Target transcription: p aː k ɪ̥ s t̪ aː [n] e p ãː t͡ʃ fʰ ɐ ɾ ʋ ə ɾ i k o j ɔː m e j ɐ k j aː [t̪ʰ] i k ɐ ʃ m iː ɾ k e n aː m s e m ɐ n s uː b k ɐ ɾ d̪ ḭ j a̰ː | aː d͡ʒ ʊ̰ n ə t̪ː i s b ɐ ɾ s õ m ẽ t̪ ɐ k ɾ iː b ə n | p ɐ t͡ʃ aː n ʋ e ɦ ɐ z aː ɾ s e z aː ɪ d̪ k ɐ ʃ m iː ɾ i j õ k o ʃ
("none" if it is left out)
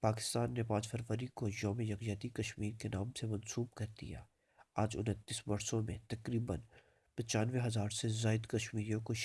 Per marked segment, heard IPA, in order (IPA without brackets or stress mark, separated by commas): nː, t̪